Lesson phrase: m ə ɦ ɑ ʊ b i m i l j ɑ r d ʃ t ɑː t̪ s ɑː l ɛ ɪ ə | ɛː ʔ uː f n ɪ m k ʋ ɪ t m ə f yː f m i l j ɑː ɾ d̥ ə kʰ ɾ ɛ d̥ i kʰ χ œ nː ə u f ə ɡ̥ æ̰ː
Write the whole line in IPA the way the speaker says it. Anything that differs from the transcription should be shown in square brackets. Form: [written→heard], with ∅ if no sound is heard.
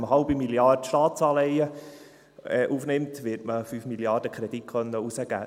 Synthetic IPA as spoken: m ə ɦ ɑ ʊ b i m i l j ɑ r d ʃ t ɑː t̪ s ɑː l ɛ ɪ ə | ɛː ʔ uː f n ɪ m [k→t] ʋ ɪ t m ə f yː f m i l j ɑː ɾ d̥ ə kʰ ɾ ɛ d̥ i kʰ χ œ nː ə u [f→s] ə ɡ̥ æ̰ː

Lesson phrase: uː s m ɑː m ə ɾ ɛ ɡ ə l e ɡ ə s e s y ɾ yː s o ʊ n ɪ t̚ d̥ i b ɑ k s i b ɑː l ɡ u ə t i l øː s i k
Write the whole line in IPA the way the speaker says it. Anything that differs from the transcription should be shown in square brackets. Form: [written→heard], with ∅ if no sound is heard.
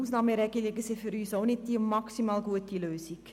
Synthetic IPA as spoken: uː s [m→n] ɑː m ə ɾ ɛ ɡ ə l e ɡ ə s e [s→f] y ɾ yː s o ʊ n ɪ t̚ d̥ i [b→m] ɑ k s i [b→m] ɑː l ɡ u ə t i l øː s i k

